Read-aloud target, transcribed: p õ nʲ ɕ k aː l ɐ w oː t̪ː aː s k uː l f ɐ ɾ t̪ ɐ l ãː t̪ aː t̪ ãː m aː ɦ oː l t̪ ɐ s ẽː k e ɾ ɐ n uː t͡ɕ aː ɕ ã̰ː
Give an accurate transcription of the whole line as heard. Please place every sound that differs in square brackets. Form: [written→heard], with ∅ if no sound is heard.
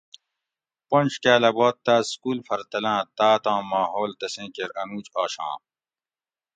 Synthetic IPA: p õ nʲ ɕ k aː l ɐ [w→b] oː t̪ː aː s k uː l f ɐ ɾ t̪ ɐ l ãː t̪ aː t̪ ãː m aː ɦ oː l t̪ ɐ s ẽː k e ɾ ɐ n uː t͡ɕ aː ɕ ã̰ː